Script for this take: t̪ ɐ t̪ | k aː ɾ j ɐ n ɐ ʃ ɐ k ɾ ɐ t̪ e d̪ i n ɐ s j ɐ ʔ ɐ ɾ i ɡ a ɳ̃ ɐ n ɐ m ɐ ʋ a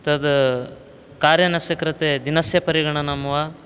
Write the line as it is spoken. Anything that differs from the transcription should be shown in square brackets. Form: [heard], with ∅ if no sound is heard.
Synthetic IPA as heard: t̪ ɐ [d̪] | k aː ɾ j ɐ n ɐ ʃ ɐ k ɾ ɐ t̪ e d̪ i n ɐ s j ɐ [p] ɐ ɾ i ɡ [ɐ] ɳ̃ ɐ n ɐ m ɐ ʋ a